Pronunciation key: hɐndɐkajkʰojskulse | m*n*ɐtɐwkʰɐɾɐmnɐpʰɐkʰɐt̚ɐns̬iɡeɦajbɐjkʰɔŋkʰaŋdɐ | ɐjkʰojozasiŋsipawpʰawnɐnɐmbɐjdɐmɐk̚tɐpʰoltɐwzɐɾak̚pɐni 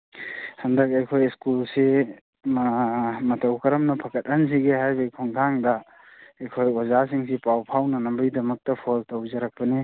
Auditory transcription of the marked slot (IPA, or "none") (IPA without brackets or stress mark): m